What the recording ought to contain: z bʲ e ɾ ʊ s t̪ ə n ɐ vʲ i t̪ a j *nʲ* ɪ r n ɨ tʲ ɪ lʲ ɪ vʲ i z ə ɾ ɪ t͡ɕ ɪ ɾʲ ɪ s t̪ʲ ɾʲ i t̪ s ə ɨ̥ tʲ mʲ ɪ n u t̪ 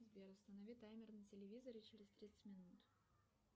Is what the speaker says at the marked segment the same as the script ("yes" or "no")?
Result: no